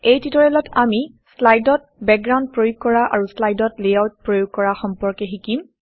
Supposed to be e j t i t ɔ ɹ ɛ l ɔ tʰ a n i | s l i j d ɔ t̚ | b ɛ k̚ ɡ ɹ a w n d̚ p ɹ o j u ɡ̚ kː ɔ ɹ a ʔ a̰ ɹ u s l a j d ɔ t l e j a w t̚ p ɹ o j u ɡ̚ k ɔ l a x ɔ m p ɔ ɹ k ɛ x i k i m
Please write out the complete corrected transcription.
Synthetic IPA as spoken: e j t i t ɔ ɹ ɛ l ɔ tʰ a m i | s l a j d ɔ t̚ | b ɛ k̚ ɡ ɹ a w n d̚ p ɹ o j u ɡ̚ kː ɔ ɹ a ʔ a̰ ɹ u s l a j d ɔ t l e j a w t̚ p ɹ o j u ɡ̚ k ɔ ɹ a x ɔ m p ɔ ɹ k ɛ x i k i m